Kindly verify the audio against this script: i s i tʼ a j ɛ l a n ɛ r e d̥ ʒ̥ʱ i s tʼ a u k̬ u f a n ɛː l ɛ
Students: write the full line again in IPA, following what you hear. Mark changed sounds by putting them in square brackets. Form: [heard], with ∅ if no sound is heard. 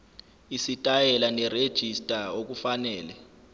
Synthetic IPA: i s i tʼ a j ɛ l a n ɛ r e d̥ ʒ̥ʱ i s tʼ a [o] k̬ u f a n ɛː l ɛ